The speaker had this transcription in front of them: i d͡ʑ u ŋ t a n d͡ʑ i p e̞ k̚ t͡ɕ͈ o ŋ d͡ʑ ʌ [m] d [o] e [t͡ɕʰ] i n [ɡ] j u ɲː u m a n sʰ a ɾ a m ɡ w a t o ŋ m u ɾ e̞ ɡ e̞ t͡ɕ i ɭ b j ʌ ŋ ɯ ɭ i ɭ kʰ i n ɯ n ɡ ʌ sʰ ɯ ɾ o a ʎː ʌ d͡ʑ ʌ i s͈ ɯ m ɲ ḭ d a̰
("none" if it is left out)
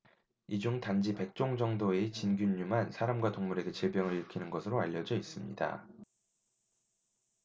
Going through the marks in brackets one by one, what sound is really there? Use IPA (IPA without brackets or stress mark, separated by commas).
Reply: ŋ, o, t͡ɕ, ɡ